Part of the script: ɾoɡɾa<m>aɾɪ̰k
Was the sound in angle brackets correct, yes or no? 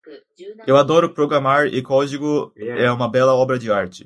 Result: yes